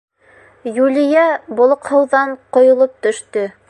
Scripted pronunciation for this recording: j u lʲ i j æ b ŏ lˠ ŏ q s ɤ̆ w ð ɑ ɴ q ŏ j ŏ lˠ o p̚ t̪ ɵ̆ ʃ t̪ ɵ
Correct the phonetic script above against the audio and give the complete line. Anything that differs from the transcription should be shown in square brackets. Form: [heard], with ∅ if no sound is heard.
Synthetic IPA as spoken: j u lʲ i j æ b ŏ lˠ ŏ q [h] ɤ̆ w ð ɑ ɴ q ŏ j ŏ lˠ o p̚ t̪ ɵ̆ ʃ t̪ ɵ